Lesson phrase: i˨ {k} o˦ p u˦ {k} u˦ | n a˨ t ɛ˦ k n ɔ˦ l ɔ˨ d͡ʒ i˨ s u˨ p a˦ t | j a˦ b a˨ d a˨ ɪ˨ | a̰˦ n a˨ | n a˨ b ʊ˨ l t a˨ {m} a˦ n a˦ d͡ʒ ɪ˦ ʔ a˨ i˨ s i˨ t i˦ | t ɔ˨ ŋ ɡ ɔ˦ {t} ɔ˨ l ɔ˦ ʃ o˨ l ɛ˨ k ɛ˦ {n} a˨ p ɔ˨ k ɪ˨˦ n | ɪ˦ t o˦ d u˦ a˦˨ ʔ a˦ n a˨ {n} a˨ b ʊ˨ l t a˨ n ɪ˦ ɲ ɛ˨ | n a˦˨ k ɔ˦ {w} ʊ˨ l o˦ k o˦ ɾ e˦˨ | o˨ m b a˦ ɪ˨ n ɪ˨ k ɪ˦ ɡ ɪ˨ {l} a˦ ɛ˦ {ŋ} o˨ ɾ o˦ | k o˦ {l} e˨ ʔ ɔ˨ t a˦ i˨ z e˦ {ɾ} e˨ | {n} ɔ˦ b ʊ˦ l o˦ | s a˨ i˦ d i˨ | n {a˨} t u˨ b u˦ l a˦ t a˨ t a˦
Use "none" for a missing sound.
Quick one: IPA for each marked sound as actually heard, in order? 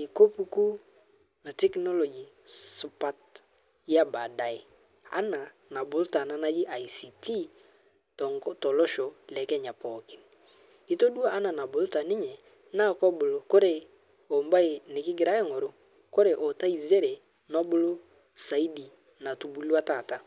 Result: k, k, n, t, ɲ, n, b, ɾ, ŋ, ɾ, ɾ, n, a˨

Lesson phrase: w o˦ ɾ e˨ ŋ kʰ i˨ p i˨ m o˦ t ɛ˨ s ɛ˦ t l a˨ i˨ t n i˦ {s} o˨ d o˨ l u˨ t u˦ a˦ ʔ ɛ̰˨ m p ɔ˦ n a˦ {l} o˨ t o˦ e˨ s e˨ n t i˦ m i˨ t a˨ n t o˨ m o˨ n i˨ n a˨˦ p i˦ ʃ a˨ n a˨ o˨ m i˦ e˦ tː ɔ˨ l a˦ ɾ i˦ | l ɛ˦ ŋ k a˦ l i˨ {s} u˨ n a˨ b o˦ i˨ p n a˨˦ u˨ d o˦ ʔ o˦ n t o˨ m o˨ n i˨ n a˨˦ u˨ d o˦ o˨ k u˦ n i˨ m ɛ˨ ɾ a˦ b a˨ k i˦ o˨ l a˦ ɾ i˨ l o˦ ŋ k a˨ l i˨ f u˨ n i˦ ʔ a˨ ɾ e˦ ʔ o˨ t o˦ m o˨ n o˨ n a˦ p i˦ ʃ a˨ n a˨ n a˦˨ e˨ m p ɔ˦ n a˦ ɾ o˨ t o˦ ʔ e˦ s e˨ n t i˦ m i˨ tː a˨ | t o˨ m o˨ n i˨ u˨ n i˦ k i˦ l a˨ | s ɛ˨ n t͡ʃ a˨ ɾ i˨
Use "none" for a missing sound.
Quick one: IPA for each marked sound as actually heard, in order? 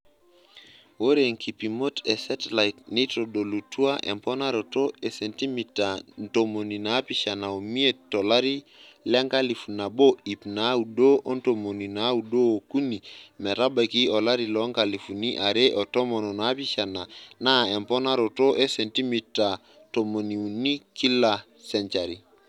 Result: t, ɾ, f

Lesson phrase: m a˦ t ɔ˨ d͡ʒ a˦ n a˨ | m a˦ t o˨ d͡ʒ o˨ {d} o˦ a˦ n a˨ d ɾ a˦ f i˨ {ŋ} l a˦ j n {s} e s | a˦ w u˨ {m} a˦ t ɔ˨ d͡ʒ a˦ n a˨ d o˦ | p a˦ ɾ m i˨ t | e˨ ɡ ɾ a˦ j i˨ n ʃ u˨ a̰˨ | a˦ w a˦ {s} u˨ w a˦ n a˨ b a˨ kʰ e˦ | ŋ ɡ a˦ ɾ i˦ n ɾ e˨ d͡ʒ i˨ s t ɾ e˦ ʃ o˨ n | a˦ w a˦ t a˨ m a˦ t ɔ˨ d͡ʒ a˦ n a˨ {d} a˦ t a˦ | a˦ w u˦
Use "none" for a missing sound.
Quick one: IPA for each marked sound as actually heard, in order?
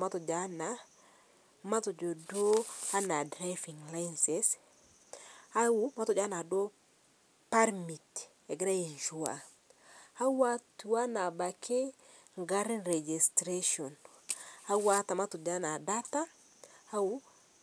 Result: d, ŋ, s, m, t, d

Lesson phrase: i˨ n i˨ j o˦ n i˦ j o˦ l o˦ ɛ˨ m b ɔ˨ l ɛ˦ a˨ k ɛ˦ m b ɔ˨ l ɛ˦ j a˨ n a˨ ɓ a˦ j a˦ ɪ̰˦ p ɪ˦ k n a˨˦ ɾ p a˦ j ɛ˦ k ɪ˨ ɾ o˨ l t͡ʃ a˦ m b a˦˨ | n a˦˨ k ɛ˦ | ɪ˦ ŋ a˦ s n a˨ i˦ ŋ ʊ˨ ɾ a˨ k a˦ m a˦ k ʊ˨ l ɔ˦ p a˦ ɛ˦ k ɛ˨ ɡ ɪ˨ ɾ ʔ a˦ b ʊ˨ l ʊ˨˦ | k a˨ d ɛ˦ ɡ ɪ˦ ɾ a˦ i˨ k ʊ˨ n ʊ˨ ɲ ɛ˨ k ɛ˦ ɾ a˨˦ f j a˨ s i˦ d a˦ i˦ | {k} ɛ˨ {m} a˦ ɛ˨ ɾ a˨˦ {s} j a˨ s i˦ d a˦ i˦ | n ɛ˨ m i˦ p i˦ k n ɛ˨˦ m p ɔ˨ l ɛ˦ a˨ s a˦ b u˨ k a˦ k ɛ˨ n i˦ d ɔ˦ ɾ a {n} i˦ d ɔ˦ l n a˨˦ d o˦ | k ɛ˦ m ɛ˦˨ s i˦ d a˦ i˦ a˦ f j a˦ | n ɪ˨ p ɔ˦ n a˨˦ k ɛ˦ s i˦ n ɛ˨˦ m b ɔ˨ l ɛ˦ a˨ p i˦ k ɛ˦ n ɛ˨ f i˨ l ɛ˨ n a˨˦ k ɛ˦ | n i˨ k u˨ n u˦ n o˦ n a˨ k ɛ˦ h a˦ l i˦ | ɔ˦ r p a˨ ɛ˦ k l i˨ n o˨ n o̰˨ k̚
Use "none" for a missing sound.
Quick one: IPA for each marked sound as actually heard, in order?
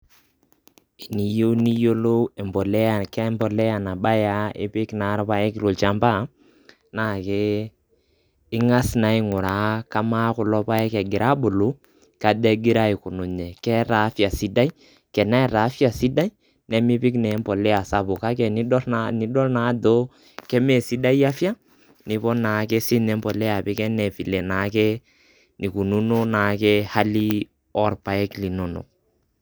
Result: k, n, f, n

